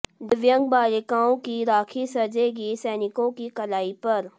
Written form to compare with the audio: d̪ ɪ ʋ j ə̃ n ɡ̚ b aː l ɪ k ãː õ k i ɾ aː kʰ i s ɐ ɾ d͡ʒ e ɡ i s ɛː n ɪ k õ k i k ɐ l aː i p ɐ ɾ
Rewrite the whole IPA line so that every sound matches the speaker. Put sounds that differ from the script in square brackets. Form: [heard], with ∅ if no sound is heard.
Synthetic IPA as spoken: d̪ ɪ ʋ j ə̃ [ŋ] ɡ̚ b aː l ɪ k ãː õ k i ɾ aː kʰ i s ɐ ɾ d͡ʒ e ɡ i s ɛː n ɪ k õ k i k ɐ l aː i p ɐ ɾ